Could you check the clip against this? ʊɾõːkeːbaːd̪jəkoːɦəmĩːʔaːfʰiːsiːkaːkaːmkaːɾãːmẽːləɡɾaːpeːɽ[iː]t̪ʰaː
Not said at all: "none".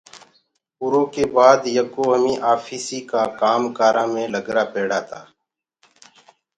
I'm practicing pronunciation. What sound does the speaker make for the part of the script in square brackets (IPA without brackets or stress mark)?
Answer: aː